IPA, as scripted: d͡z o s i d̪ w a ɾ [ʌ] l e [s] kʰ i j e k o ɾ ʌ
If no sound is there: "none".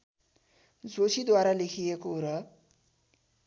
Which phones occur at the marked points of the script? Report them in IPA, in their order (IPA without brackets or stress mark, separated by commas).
a, none